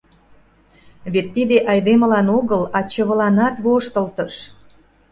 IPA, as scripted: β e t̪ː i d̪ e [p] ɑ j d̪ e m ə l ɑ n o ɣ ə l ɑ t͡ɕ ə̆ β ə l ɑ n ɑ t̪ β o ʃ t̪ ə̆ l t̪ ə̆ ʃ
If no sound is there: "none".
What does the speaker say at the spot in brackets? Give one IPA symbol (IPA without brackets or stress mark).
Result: ʔ